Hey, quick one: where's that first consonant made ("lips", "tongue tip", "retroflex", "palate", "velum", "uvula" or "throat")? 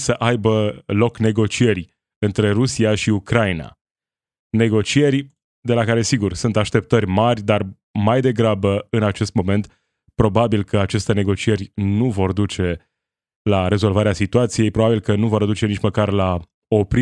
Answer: tongue tip